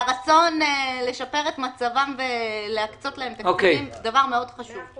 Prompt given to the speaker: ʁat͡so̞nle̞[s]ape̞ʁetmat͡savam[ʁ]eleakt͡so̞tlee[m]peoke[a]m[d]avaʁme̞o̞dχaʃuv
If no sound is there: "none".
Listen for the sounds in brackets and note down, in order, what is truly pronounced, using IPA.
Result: ʃ, v, m, i, d

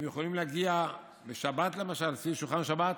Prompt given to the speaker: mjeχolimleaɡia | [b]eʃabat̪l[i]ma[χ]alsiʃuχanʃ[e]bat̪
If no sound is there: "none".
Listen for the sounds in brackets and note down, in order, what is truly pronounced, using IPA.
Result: b, e, ʃ, a

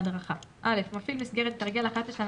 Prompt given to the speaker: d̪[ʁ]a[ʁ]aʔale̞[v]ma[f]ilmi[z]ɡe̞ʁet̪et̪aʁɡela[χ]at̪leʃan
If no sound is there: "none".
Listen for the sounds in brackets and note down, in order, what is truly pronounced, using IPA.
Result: ʁ, χ, f, f, s, χ

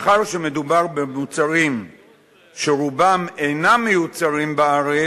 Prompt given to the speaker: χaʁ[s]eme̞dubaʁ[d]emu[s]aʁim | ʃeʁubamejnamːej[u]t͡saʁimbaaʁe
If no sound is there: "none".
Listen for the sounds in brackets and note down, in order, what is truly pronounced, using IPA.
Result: ʃ, b, t͡s, u

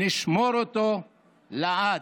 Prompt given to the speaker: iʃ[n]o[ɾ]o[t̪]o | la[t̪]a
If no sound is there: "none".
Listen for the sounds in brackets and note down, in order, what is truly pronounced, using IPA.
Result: m, ɾ, t̪, none

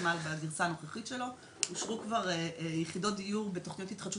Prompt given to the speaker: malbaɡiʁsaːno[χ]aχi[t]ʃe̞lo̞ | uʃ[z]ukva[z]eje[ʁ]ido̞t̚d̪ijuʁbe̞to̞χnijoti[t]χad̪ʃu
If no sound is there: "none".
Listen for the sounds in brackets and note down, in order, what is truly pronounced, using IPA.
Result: χ, t, ʁ, ʁ, χ, t

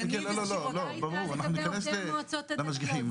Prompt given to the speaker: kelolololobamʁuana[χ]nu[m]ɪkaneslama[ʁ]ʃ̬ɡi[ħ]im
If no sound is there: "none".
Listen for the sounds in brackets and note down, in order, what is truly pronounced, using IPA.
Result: ħ, n, none, ħ

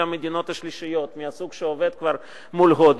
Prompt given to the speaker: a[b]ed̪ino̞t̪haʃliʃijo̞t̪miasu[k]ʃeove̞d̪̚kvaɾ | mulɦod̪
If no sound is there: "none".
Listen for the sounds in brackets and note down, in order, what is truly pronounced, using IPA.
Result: m, ɡ

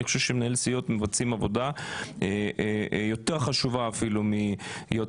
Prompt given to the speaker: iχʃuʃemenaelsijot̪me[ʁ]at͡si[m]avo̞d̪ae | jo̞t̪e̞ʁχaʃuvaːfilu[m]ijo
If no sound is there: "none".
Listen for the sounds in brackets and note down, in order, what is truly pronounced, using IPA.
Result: v, m, m

